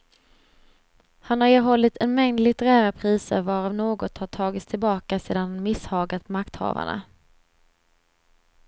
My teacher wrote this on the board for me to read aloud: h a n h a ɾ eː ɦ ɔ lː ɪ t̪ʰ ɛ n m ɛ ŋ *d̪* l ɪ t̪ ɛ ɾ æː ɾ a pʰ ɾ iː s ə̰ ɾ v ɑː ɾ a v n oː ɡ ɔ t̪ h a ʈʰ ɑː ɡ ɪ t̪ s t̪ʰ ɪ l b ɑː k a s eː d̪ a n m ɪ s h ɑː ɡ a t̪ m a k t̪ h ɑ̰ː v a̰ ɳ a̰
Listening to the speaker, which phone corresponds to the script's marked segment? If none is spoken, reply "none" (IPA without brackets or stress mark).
d̪